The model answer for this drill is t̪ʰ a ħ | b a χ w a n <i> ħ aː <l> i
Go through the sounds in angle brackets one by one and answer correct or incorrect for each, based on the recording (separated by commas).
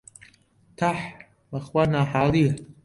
incorrect, correct